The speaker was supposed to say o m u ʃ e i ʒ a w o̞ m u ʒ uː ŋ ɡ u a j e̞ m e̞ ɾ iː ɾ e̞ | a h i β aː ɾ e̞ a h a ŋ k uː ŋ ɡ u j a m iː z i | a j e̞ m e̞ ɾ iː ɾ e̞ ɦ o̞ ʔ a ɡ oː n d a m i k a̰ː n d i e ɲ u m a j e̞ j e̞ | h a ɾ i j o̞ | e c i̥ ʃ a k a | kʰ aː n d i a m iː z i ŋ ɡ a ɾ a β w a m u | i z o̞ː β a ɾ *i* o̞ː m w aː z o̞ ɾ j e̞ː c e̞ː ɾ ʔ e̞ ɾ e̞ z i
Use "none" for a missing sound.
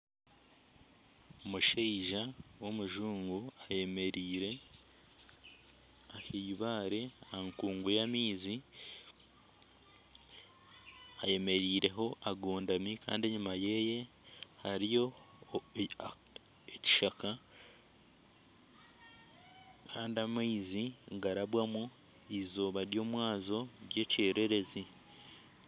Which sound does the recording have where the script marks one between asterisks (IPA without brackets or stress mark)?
j